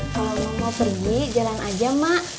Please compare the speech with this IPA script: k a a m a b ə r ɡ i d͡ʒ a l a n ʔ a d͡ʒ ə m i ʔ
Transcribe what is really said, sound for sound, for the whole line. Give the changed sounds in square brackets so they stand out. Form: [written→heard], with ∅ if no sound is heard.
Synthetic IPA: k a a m a [b→p] ə r ɡ i d͡ʒ a l a n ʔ a d͡ʒ [ə→a] m [i→a] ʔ